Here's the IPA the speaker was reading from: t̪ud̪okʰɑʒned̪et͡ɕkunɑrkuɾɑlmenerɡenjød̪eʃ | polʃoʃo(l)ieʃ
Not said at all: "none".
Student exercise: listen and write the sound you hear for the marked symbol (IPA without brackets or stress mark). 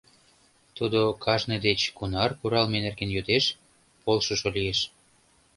l